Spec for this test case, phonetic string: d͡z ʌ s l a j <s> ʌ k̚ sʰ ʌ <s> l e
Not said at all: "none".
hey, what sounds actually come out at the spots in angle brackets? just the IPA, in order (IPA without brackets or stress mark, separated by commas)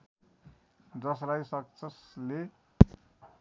s, s